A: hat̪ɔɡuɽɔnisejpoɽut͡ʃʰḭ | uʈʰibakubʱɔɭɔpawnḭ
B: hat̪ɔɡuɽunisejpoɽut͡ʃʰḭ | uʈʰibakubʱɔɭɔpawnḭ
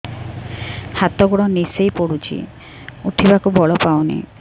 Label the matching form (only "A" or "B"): A